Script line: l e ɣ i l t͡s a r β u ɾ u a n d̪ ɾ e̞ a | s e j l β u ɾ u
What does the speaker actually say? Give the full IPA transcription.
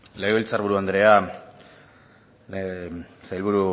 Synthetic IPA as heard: l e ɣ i l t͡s a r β u ɾ u a n d̪ ɾ e̞ a | s a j l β u ɾ u